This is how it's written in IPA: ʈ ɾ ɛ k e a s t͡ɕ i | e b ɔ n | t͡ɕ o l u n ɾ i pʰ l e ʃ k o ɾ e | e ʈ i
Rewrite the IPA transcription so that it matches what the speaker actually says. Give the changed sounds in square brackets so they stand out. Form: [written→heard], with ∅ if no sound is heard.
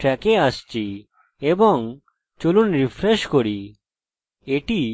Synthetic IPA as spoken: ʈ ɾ ɛ k e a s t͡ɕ i | e b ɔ [n→ŋ] | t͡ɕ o l u n ɾ i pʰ [l→ɾ] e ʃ k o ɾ [e→i] | e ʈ i